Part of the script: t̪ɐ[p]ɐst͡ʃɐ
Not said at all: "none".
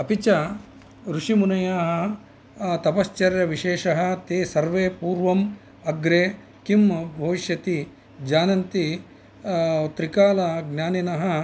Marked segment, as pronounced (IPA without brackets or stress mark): p